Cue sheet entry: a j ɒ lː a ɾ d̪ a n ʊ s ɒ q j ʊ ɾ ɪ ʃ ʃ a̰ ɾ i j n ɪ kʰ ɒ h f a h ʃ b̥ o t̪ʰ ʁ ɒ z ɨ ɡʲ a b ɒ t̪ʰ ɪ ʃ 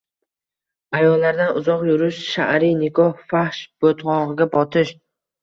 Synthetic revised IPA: a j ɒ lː a ɾ d̪ a n ʊ z ɒ q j ʊ ɾ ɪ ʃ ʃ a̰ ɾ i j n ɪ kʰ ɒ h f a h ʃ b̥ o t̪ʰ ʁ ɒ ʁ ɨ ɡʲ a b ɒ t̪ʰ ɪ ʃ